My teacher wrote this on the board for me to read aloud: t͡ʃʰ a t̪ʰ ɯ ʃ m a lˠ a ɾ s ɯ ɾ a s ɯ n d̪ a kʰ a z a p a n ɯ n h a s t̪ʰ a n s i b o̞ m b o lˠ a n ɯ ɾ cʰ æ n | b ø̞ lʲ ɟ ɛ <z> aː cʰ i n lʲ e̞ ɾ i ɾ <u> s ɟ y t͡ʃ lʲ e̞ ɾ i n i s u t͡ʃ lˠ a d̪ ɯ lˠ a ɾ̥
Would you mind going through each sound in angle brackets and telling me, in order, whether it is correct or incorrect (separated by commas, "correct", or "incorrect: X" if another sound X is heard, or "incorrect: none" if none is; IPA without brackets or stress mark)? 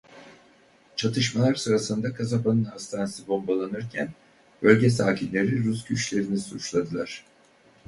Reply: incorrect: s, correct